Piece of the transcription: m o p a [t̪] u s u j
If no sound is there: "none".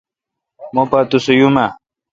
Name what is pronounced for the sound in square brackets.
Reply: t̪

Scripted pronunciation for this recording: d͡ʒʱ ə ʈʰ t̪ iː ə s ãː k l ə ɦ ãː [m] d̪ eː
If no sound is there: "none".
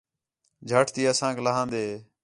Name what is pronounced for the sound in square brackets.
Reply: n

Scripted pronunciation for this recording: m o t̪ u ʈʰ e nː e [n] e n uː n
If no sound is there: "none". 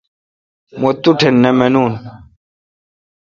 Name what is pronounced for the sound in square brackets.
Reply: m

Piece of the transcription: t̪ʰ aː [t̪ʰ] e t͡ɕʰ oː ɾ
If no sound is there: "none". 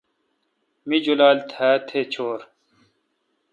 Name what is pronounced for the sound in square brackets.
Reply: t̪ʰ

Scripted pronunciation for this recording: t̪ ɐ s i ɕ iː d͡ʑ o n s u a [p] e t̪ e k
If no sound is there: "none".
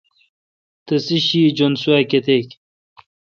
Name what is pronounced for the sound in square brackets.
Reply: k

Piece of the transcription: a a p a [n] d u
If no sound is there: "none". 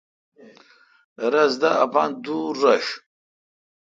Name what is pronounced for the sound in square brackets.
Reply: n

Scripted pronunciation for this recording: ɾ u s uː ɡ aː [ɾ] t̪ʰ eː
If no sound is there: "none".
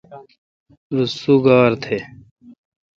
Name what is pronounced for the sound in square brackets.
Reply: ɾ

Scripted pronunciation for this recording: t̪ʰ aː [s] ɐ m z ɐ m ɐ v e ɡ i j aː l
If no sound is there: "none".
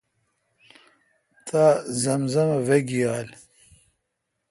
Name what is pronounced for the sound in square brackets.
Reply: z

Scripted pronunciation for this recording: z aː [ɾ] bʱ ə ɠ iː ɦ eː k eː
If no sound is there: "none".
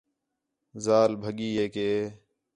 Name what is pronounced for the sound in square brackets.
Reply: l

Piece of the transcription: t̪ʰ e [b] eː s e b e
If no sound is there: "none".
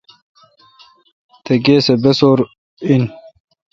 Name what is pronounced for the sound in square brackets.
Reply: ɡ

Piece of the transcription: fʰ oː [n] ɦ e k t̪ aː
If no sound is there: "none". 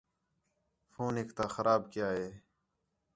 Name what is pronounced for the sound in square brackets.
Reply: n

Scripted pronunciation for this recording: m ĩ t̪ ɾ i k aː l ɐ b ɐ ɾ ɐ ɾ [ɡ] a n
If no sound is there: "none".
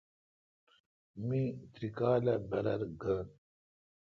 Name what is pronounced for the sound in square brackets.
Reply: ɡ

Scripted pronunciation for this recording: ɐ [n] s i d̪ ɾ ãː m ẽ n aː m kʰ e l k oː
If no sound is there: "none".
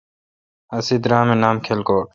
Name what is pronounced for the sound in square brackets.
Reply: none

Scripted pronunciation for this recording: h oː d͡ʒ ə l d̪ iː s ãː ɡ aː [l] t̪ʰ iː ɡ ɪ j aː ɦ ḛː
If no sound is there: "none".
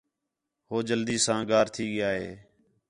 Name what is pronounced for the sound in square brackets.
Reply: ɾ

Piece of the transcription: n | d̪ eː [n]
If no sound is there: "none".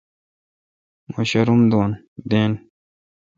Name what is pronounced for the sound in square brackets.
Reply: n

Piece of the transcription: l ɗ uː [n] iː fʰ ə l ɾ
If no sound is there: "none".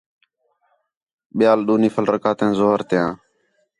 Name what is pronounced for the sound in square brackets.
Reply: n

